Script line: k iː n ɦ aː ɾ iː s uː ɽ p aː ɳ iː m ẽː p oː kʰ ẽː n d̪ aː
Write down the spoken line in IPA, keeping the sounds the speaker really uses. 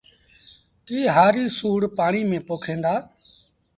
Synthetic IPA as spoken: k iː ɦ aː ɾ iː s uː ɽ p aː ɳ iː m ẽː p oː kʰ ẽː n d̪ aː